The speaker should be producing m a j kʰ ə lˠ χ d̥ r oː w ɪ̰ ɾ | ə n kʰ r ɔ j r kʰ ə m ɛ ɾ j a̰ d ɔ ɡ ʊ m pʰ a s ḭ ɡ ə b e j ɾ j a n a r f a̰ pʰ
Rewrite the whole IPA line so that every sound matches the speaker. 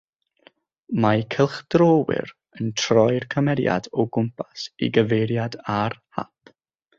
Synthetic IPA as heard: m a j kʰ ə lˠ χ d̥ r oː w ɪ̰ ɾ | ə n tʰ r ɔ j r kʰ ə m ɛ ɾ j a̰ d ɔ ɡ ʊ m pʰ a s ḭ ɡ ə v e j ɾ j a d a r h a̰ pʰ